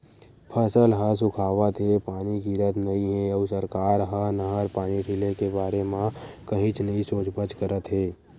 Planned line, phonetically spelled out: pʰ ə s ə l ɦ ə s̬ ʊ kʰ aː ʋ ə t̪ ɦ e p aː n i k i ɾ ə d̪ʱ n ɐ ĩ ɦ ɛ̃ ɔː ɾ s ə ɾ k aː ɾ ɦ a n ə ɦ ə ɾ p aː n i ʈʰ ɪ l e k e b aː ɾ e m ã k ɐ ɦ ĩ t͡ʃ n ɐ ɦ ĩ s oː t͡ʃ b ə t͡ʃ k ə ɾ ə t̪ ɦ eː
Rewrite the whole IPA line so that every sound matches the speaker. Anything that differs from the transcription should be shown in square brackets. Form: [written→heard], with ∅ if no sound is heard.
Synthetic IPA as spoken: pʰ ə s ə l ɦ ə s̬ ʊ kʰ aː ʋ ə t̪ ɦ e p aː n i k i ɾ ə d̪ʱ n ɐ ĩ ɦ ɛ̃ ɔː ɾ s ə ɾ k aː ɾ ɦ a n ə ɦ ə ɾ p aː n i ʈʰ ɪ l e k e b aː ɾ e m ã k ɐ ɦ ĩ t͡ʃ n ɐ ɦ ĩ s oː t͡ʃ b ə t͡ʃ k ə ɾ ə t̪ ɦ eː